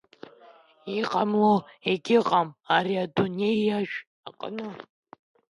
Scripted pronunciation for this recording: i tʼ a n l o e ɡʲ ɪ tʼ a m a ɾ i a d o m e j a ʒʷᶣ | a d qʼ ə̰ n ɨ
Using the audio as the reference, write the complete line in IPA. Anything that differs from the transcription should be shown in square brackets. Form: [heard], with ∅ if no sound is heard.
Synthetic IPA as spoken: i [qʼ] a [m] l o e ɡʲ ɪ [qʼ] a m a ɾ i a d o [n] e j a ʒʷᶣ | a [∅] qʼ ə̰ n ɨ